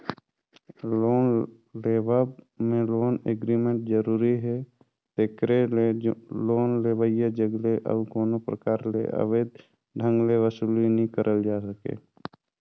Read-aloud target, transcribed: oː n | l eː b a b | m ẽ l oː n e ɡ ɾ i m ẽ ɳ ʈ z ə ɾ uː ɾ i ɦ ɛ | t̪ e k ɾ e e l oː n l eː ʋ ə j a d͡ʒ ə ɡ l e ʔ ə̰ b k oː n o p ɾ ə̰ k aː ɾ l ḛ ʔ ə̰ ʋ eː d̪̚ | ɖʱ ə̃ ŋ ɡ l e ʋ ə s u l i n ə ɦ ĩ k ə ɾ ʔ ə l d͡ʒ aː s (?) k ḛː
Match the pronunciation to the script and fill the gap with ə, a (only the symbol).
ə